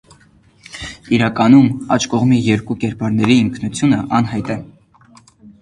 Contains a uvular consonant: yes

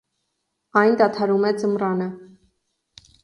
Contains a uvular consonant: no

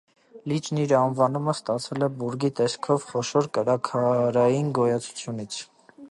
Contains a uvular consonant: yes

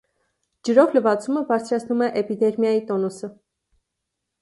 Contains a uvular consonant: no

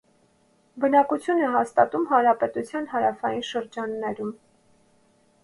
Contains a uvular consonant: no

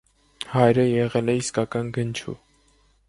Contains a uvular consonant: yes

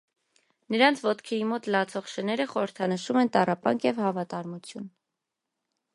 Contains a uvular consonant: yes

